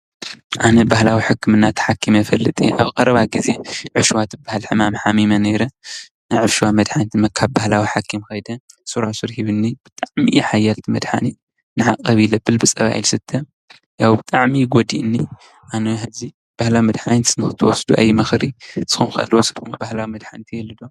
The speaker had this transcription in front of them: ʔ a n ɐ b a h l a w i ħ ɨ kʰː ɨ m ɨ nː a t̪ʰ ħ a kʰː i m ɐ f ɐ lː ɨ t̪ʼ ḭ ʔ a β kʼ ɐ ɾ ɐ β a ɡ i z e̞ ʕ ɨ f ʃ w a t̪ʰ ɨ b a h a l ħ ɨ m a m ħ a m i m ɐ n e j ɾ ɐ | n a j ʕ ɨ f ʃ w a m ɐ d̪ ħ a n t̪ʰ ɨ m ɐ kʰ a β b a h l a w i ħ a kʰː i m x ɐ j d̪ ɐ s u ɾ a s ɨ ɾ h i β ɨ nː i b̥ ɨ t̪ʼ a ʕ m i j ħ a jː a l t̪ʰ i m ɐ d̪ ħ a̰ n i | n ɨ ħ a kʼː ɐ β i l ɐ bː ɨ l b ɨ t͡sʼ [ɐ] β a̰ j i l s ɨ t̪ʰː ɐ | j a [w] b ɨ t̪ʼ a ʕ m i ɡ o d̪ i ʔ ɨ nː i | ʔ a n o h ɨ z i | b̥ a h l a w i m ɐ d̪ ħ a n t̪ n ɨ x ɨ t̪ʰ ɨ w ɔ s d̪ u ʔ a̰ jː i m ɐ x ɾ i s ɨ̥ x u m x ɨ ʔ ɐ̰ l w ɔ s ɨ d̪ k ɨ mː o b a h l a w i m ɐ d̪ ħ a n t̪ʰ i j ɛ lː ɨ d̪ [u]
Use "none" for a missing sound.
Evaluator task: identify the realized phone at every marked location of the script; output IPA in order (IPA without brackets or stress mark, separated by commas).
ɐ, w, o